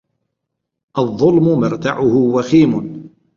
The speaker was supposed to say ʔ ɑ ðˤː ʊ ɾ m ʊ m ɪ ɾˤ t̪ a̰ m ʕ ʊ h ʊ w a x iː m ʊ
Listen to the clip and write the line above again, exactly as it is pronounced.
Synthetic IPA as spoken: ʔ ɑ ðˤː ʊ l m ʊ m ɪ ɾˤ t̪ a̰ ʕ ʊ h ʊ w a x iː m ʊ